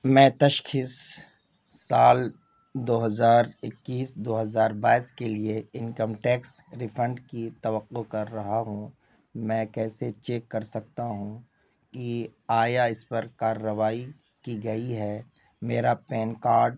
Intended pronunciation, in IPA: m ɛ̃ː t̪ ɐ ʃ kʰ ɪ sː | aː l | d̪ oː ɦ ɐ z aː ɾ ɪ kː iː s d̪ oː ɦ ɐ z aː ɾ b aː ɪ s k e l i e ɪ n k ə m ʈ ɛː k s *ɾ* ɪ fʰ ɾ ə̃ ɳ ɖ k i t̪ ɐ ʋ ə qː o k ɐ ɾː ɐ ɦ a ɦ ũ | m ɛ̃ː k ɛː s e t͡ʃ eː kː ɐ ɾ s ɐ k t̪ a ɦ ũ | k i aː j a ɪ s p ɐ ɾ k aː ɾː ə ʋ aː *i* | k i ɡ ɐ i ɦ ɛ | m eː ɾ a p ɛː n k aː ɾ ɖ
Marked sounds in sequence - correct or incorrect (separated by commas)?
correct, correct